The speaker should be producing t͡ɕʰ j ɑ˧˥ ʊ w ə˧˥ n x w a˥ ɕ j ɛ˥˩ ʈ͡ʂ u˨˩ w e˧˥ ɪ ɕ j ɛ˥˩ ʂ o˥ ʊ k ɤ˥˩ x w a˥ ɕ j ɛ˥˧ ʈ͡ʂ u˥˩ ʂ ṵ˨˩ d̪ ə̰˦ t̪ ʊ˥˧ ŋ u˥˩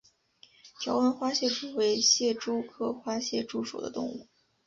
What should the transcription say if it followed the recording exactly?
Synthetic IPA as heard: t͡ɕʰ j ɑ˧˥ ʊ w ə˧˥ n x w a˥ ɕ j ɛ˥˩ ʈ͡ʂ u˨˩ w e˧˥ ɪ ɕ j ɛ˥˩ ʈ͡ʂ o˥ ʊ kʰ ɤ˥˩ x w a˥ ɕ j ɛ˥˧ ʈ͡ʂ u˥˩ ʂ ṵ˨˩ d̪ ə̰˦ t̪ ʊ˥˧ ŋ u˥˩